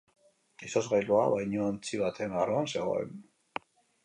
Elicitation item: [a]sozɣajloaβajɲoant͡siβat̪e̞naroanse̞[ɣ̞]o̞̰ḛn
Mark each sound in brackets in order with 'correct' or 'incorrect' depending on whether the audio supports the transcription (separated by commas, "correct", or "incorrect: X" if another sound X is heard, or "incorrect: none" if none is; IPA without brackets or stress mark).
incorrect: i, correct